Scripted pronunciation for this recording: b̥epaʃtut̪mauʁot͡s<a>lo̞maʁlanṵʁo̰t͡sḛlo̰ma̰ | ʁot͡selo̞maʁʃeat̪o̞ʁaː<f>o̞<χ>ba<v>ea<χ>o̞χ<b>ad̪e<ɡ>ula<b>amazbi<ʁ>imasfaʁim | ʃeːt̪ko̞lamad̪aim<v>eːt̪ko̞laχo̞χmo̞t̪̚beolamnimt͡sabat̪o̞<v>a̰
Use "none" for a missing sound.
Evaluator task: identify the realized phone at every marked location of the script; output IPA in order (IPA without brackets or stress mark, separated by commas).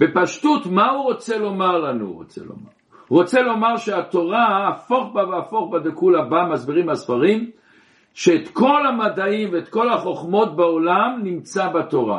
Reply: e, f, χ, v, f, b, k, b, ʁ, v, ʁ